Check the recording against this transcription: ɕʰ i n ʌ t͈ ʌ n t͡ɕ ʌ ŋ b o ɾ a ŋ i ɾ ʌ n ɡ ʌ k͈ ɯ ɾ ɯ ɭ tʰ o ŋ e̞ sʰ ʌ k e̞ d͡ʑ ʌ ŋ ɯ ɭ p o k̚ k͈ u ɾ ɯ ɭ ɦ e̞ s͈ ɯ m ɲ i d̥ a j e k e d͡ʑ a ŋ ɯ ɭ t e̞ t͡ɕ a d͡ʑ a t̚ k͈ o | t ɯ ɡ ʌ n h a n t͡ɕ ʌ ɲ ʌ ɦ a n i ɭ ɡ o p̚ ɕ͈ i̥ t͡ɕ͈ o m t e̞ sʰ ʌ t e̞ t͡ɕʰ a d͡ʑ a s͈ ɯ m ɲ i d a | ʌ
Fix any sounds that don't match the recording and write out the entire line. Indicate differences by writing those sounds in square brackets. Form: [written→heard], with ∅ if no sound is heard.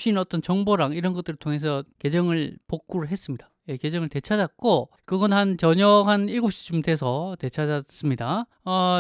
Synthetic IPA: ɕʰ i n ʌ t͈ ʌ n t͡ɕ ʌ ŋ b o ɾ a ŋ i ɾ ʌ n ɡ ʌ [k͈→t͈] ɯ ɾ ɯ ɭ tʰ o ŋ e̞ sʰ ʌ k e̞ d͡ʑ ʌ ŋ ɯ ɭ p o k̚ k͈ u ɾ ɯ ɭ ɦ e̞ s͈ ɯ m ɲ i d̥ a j e k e d͡ʑ [a→ʌ] ŋ ɯ ɭ t e̞ [t͡ɕ→t͡ɕʰ] a d͡ʑ a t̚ k͈ o | [t→k] ɯ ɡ ʌ n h a n t͡ɕ ʌ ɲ ʌ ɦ a n i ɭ ɡ o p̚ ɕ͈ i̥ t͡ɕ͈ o m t e̞ sʰ ʌ t e̞ t͡ɕʰ a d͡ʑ a s͈ ɯ m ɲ i d a | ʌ